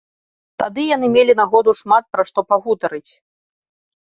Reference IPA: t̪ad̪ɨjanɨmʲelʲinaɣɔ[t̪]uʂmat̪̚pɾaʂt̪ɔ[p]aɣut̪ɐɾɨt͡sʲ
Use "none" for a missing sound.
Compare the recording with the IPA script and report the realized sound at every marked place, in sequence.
d̪, p

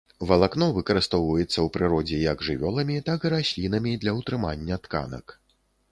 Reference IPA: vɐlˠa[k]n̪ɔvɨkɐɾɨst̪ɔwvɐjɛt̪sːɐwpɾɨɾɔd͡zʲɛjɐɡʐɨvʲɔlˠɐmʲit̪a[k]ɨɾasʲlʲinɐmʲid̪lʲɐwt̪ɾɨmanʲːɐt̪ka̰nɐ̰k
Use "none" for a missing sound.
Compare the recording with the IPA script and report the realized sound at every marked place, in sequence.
k, k

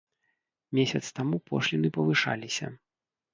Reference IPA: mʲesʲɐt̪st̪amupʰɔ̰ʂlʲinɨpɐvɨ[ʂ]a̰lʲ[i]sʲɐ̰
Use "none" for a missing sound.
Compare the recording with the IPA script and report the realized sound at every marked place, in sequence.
ʂ, i

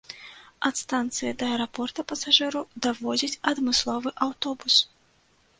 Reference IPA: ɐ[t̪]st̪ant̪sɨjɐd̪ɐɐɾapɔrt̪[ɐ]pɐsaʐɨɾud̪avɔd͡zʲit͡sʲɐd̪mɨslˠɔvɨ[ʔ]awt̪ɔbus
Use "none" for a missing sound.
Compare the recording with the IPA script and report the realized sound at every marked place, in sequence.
t̪, ɐ, ʔ

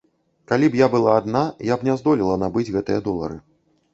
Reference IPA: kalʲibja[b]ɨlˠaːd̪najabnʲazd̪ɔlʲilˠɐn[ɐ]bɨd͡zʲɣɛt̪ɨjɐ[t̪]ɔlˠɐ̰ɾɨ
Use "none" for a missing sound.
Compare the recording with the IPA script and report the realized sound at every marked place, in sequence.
b, a, d̪

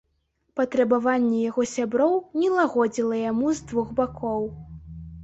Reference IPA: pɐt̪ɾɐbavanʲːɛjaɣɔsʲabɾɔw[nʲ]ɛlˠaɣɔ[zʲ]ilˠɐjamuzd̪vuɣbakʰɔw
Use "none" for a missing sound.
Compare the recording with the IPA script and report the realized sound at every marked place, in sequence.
nʲ, d͡zʲ

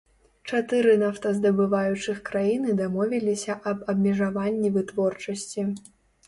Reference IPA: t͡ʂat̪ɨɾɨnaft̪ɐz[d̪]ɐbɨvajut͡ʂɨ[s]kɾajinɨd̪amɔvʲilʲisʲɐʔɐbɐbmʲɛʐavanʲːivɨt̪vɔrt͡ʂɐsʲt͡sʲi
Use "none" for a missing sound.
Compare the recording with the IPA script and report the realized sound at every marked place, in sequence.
d̪, x

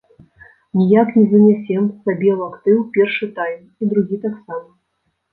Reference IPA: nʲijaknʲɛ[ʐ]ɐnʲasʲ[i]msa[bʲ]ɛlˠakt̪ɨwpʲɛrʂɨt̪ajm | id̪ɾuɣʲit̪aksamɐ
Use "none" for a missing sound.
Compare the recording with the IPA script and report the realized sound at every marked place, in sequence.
z, ɛ, bʲ

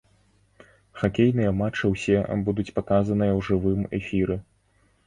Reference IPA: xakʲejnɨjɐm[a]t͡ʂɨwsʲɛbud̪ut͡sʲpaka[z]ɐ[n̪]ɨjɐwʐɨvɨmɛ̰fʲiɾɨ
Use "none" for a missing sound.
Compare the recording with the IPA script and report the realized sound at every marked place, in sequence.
a, z, n̪

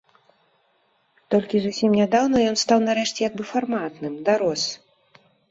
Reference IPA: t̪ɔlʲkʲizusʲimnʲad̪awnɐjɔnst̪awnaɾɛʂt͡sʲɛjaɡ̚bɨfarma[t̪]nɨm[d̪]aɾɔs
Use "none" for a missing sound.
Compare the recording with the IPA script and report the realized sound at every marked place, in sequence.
t̪, d̪

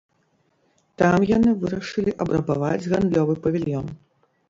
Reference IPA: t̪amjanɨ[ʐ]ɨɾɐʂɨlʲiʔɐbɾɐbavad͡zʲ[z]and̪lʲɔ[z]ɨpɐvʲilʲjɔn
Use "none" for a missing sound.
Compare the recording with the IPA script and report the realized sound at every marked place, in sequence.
v, ɣ, v

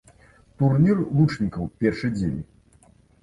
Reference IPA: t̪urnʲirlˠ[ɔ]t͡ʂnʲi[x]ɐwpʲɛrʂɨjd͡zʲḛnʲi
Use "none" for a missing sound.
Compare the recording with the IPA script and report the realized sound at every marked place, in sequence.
u, k

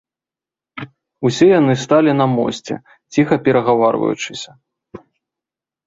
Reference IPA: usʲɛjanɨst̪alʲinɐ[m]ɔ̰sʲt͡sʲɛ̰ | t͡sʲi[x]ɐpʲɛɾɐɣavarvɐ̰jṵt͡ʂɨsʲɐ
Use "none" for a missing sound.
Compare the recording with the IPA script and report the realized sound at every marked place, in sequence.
m, x

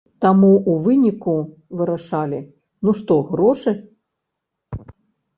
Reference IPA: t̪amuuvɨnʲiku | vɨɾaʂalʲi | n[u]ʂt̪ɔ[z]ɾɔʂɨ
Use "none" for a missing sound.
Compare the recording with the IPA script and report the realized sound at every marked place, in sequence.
u, ɣ

